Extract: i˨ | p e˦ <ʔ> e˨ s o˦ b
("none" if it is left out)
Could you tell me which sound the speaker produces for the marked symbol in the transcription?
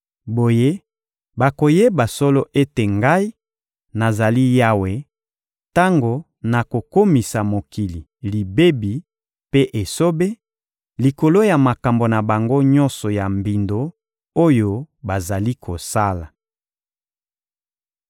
ʔ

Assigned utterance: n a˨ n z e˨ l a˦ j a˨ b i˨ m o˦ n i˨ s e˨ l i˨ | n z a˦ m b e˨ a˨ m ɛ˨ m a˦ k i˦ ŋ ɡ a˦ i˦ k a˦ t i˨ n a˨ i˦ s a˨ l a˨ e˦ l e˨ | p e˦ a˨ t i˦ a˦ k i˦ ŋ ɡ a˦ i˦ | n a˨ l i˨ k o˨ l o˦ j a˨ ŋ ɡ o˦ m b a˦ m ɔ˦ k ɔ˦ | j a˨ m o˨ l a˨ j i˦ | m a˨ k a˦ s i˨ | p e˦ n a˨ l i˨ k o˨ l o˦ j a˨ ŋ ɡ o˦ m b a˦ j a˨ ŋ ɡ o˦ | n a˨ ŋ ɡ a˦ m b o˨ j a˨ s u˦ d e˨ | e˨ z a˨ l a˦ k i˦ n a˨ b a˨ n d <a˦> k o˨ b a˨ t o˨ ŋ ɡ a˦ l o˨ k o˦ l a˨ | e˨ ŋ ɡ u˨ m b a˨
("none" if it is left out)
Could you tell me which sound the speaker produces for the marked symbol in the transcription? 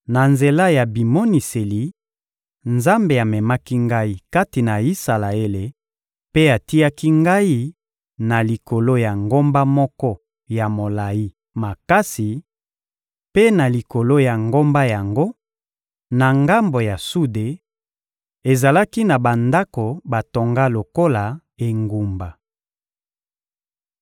a˦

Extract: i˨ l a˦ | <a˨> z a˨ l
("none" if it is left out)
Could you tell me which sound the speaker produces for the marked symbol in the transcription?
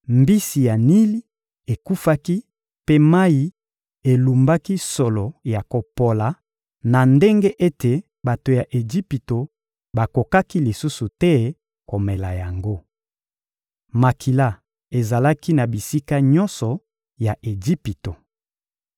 e˨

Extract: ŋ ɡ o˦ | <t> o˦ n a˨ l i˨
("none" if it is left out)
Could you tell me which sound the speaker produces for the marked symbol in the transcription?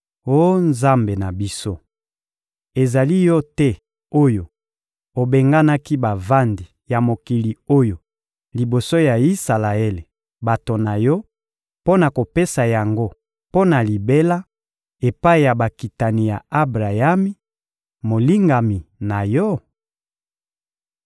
p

